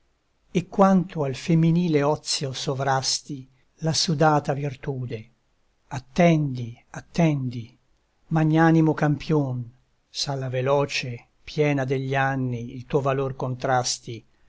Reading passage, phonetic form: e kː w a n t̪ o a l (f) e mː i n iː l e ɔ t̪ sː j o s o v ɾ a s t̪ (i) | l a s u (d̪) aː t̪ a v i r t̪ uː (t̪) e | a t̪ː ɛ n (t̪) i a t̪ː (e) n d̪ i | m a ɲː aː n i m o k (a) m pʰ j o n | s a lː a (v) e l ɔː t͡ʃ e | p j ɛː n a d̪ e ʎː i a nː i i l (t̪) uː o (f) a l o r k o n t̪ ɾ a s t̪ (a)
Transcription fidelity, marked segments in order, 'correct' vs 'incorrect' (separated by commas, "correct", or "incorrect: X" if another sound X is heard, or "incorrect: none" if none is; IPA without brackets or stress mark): correct, correct, correct, incorrect: d̪, incorrect: d̪, incorrect: ɛ, correct, correct, correct, incorrect: v, incorrect: i